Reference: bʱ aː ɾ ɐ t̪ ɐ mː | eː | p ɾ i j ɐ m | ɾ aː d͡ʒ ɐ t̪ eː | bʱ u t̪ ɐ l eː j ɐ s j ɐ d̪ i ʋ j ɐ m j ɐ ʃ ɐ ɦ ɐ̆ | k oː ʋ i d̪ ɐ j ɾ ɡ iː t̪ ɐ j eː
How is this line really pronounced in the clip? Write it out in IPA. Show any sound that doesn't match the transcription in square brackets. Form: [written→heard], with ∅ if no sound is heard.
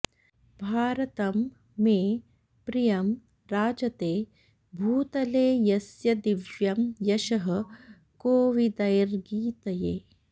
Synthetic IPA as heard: bʱ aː ɾ ɐ t̪ ɐ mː | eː | p ɾ i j ɐ m | ɾ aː d͡ʒ ɐ t̪ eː | bʱ [u→uː] t̪ ɐ l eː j ɐ s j ɐ d̪ i ʋ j ɐ m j ɐ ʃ ɐ ɦ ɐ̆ | k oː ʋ i d̪ ɐ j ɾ ɡ iː t̪ ɐ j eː